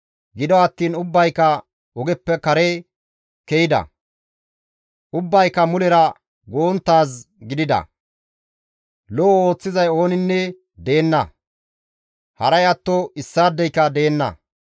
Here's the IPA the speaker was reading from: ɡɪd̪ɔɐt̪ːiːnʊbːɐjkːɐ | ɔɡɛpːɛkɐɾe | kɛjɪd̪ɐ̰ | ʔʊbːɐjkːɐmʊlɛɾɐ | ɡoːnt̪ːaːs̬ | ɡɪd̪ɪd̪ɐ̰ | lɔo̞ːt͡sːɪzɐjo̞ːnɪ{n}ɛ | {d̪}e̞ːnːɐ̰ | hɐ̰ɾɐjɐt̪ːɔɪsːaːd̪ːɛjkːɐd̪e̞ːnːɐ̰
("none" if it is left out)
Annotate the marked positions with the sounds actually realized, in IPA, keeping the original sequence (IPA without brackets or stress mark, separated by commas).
nː, d̪